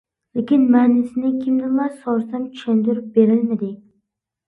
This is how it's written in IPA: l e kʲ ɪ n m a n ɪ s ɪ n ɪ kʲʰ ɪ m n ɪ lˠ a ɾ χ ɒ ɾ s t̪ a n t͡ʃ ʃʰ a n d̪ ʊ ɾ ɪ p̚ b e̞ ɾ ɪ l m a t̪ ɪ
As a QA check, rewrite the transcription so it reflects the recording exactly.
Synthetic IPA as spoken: l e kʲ ɪ n m a n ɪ s ɪ n ɪ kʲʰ ɪ m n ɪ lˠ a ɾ s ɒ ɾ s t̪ a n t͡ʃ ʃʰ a n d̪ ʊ ɾ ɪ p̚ b e̞ ɾ ɪ l m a d̪ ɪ